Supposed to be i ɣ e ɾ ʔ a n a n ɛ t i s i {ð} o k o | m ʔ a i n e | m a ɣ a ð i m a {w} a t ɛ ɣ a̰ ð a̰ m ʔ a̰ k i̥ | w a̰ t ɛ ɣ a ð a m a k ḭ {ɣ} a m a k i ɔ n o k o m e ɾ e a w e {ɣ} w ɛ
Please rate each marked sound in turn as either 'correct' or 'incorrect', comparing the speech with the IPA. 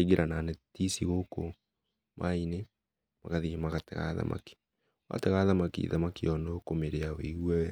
incorrect: ɣ, incorrect: ɣ, incorrect: ð, correct

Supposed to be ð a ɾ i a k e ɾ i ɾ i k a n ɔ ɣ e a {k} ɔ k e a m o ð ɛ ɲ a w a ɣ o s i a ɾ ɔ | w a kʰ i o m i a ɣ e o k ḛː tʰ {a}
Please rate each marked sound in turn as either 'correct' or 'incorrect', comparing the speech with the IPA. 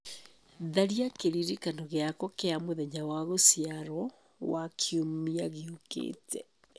correct, incorrect: ɛ

